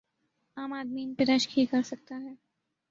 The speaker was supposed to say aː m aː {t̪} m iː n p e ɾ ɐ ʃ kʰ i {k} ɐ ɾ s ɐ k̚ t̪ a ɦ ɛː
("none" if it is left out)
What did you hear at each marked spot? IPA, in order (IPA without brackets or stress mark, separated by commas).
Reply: d̪, k